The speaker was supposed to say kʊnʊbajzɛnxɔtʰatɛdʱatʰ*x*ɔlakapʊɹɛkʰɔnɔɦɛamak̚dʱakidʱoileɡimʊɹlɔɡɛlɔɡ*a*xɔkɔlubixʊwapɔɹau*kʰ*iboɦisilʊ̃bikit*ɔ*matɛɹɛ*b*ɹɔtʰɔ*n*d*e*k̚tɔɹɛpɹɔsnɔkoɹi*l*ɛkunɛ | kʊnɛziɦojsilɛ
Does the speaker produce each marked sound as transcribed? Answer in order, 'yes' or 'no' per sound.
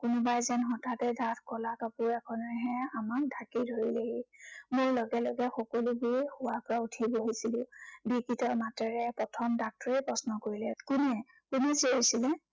no, no, no, yes, no, no, no, yes

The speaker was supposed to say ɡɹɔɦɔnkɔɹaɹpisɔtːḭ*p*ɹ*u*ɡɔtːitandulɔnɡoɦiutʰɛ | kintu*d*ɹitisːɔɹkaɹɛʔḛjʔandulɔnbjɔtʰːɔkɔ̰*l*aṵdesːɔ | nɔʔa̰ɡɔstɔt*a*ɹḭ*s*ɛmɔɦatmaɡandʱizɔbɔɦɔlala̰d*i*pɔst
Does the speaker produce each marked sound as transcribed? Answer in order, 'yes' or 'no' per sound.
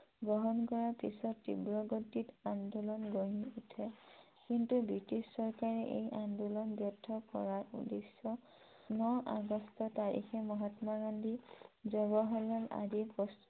no, no, no, no, yes, no, yes

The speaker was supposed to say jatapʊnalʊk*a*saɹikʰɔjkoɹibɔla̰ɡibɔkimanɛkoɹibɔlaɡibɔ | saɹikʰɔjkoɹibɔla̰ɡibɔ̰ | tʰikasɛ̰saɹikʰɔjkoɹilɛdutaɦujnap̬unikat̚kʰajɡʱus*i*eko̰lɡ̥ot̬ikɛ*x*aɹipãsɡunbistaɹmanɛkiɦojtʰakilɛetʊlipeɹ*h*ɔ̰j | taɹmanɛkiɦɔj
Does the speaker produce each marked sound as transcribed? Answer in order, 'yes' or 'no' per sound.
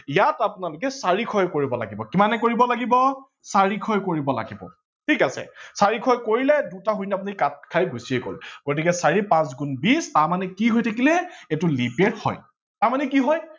no, yes, no, yes

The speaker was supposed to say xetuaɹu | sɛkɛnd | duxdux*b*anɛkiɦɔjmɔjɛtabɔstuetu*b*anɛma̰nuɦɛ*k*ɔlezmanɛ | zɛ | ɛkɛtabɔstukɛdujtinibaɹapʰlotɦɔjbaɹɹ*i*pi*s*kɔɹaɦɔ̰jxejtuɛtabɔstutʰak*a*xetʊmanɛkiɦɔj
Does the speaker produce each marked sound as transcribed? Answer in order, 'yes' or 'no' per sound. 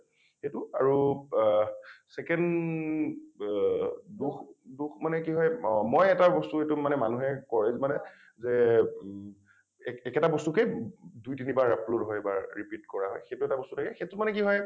no, no, yes, yes, no, no

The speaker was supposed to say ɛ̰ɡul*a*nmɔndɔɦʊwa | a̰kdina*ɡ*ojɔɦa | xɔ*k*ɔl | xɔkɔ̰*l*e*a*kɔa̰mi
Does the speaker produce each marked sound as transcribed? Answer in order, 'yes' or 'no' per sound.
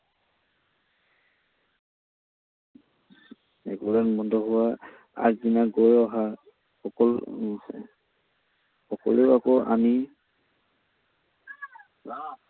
yes, yes, yes, yes, yes

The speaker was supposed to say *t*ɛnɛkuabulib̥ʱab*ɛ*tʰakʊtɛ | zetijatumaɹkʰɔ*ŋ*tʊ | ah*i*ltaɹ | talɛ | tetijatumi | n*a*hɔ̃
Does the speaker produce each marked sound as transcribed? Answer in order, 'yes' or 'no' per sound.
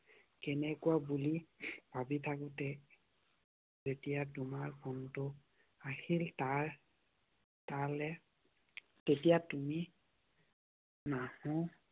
no, no, no, yes, yes

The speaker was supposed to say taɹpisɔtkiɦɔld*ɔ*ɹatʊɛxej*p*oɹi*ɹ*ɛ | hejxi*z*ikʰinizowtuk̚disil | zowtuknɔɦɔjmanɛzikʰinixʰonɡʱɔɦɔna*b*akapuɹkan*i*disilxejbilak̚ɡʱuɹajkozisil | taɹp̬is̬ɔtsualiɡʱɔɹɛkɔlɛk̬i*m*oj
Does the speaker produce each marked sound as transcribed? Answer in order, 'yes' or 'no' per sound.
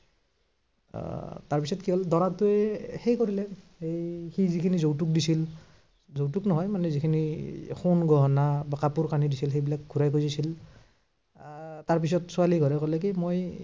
yes, no, no, yes, yes, yes, yes

